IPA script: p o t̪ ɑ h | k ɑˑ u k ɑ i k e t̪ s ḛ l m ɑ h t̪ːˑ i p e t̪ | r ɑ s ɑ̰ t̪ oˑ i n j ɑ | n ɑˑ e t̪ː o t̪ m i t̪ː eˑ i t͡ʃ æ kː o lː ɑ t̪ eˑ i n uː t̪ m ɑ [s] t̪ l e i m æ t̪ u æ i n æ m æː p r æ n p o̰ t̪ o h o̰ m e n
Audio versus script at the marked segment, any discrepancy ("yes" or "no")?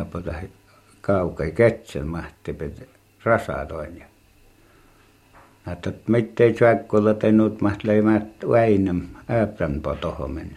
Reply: yes